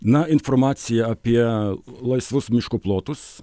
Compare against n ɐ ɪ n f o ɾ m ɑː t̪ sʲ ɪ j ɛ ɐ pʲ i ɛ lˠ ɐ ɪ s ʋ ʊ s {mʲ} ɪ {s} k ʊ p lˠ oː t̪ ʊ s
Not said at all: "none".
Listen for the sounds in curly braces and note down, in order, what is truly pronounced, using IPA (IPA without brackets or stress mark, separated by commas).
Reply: mʲ, ʃ